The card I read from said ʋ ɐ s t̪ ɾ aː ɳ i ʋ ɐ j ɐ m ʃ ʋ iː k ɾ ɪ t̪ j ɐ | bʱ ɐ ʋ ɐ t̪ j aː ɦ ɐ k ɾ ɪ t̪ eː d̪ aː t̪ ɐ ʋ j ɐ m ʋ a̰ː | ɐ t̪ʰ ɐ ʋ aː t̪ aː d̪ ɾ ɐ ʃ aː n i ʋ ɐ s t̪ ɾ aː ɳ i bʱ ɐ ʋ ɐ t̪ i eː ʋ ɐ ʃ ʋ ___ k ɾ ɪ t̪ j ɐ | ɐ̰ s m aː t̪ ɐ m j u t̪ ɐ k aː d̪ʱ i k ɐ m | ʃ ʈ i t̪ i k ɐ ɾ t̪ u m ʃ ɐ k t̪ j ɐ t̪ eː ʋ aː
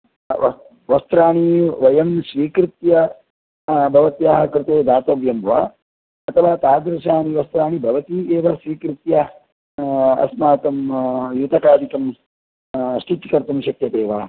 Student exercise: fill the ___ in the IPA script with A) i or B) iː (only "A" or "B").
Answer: B